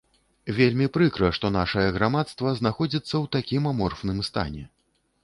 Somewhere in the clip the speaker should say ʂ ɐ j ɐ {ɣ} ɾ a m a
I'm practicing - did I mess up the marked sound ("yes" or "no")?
no